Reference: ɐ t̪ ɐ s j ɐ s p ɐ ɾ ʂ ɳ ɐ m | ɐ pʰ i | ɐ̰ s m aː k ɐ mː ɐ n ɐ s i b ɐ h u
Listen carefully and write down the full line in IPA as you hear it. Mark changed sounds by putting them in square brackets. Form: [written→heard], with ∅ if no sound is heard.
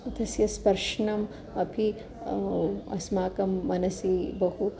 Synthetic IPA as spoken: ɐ t̪ ɐ s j ɐ s p ɐ ɾ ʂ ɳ ɐ m | ɐ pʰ i | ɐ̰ s m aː k ɐ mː ɐ n ɐ s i b ɐ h u